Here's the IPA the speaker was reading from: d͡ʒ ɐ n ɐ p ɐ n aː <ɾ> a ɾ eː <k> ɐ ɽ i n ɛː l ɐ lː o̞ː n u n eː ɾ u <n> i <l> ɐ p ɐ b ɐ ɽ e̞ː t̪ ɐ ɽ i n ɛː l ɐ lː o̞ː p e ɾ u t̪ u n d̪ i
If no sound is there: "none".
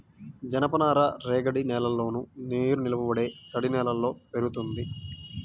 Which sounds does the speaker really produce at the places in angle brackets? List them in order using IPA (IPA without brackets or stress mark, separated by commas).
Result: ɾ, ɡ, n, l